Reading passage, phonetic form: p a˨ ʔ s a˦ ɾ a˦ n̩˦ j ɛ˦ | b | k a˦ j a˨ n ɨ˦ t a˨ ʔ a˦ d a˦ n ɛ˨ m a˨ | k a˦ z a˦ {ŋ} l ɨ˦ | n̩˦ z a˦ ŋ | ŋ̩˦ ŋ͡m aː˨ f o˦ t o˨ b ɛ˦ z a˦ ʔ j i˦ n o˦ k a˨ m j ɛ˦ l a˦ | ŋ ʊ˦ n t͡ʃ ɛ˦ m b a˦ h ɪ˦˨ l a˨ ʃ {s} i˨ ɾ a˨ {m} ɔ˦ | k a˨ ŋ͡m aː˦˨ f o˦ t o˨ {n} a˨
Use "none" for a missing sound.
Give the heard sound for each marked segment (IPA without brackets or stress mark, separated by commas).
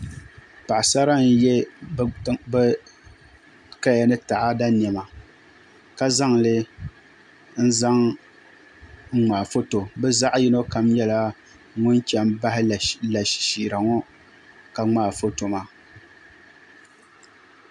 ŋ, ʃ, ŋ, m